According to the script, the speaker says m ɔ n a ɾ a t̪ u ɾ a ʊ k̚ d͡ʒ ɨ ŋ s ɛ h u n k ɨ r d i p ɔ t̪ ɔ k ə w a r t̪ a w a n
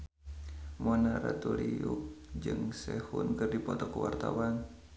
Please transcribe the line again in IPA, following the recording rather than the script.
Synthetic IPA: m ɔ n a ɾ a t̪ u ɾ i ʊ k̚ d͡ʒ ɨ ŋ s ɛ h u n k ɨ r d i p ɔ t̪ ɔ k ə w a r t̪ a w a n